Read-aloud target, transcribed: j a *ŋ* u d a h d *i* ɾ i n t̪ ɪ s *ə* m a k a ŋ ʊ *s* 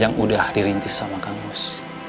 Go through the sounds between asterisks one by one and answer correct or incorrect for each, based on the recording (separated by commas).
correct, correct, incorrect, correct